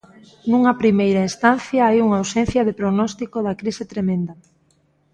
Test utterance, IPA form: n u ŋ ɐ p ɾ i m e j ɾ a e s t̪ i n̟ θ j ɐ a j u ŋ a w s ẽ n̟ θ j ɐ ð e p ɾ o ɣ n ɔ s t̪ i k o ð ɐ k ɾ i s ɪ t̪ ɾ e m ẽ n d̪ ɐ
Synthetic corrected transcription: n u ŋ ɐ p ɾ i m e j ɾ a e s t̪ a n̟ θ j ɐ a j u ŋ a w s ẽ n̟ θ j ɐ ð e p ɾ o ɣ n ɔ s t̪ i k o ð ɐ k ɾ i s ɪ t̪ ɾ e m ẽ n d̪ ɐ